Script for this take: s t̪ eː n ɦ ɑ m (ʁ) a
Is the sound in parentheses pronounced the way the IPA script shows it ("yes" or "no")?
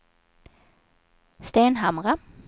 yes